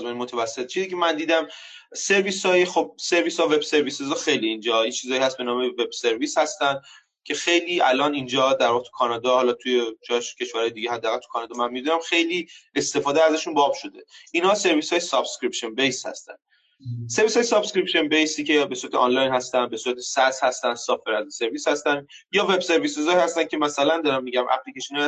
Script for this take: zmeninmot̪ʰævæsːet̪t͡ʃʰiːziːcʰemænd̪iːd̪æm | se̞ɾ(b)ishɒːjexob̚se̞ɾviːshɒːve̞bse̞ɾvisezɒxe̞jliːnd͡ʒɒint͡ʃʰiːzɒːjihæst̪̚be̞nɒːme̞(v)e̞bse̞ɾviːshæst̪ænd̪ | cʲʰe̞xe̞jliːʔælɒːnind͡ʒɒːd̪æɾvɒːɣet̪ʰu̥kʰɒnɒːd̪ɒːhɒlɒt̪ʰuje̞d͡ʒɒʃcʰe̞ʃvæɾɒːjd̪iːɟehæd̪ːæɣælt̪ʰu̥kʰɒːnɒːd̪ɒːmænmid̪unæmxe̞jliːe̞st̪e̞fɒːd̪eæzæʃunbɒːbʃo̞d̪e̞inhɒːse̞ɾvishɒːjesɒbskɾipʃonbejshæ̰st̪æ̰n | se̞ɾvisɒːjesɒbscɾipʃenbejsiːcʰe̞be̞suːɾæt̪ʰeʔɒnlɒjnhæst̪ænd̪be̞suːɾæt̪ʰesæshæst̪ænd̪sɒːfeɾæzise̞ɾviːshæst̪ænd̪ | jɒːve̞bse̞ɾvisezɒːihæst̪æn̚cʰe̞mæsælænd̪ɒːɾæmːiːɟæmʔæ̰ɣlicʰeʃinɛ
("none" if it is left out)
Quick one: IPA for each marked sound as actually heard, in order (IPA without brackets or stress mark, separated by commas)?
v, v